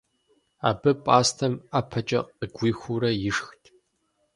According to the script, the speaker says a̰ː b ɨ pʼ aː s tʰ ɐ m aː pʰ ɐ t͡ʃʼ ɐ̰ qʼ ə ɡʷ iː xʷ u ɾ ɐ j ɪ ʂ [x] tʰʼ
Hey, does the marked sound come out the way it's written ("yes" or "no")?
yes